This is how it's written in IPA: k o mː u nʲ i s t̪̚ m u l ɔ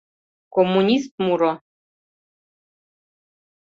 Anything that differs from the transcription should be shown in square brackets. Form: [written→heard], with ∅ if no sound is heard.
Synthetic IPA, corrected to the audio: k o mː u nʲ i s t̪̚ m u [l→ɾ] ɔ